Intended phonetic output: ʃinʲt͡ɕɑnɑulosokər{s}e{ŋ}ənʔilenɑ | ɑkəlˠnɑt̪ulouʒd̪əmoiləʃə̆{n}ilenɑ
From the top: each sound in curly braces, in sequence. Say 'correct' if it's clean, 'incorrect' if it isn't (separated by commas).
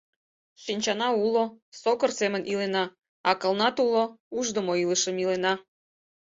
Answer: correct, incorrect, incorrect